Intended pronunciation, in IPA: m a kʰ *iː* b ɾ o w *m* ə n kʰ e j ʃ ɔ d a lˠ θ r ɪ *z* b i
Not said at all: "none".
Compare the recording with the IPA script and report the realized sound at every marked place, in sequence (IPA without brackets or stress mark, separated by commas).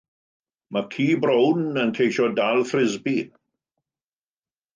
iː, n, z